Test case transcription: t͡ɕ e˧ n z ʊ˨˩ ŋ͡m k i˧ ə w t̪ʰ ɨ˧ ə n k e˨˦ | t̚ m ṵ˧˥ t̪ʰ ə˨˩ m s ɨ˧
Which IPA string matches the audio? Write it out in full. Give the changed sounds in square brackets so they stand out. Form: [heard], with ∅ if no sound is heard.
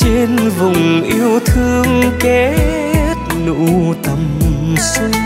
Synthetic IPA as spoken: t͡ɕ e˧ n [v] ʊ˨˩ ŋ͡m [ʔ] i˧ ə w t̪ʰ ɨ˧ ə [ŋ] k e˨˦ | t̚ [n] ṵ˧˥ [t̪] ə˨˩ m s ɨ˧